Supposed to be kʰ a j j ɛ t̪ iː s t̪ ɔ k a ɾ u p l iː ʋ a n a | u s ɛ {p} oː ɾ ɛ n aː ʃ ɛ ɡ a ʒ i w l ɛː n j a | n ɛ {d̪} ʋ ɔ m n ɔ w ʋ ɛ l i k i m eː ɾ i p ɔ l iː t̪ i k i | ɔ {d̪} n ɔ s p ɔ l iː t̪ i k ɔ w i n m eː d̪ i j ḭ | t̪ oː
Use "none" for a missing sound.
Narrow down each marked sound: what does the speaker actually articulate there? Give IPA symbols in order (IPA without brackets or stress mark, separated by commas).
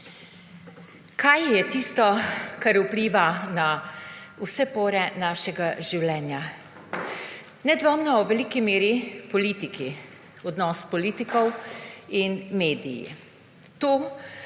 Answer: p, d̪, d̪